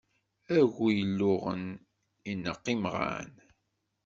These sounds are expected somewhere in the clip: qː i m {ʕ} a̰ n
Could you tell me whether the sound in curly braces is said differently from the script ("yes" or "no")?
yes